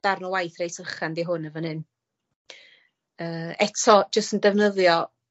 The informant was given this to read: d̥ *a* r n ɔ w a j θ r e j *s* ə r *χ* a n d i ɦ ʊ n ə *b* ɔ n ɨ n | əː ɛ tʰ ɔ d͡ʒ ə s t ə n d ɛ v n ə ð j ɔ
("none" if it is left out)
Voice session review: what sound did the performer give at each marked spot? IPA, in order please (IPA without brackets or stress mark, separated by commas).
a, s, χ, v